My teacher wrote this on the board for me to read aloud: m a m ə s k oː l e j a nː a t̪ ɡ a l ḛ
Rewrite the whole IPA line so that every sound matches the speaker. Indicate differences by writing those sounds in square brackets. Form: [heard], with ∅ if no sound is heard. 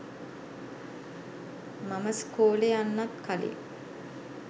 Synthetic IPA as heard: m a m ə s k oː l e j a nː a t̪ [k] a l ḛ